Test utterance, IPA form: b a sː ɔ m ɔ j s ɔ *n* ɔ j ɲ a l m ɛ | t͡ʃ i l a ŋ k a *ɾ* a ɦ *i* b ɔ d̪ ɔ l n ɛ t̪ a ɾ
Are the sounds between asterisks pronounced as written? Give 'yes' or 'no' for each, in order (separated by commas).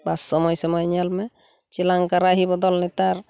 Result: no, yes, yes